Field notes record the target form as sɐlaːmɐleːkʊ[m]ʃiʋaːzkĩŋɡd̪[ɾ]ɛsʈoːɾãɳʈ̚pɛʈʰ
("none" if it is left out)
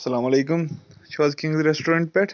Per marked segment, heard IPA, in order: m, ɾ

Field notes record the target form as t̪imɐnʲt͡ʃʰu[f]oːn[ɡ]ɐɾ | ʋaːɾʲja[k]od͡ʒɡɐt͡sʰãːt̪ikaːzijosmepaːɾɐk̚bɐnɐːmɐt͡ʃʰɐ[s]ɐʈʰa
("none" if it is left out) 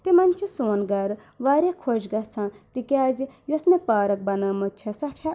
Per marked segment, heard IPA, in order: s, ɡ, kʰ, s

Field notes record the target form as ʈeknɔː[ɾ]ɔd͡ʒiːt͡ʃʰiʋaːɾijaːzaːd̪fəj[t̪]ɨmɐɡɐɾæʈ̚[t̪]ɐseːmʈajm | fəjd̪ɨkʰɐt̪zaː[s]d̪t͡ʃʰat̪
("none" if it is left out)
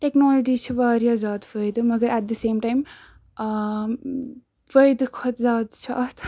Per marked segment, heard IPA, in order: l, d̪, d̪, none

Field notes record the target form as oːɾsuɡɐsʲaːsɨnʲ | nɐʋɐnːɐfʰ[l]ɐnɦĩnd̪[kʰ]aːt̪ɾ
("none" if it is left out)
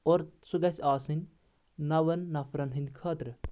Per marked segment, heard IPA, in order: ɾ, kʰ

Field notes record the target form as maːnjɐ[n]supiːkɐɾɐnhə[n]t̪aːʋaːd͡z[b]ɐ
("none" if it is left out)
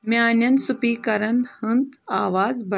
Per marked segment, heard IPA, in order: n, n, b

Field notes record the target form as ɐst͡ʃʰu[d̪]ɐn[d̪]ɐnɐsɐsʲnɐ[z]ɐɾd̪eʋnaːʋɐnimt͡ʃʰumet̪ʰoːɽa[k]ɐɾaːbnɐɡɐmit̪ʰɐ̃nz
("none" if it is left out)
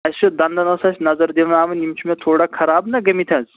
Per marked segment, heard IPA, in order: d̪, d̪, z, kʰ

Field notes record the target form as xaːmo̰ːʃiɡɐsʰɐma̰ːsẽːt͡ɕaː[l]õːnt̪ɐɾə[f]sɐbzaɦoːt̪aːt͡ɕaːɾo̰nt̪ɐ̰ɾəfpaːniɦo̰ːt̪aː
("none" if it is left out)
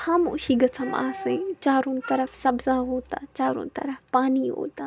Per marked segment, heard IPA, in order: ɾ, f

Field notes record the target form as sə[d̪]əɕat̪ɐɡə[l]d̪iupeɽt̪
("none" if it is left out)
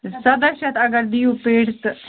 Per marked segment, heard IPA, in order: d̪, ɾ

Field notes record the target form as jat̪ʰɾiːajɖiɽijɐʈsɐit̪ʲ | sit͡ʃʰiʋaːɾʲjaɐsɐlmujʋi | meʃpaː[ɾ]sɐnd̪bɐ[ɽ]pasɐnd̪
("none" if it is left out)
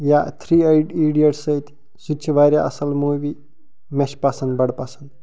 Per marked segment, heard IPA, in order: none, ɽ

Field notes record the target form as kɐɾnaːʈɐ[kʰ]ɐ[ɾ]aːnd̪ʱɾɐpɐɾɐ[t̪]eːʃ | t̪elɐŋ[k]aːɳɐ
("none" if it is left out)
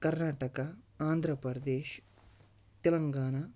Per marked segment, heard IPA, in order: k, none, d̪, ɡ

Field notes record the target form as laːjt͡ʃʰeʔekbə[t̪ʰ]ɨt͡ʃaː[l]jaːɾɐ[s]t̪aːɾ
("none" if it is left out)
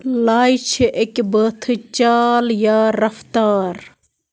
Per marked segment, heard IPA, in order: t̪ʰ, l, f

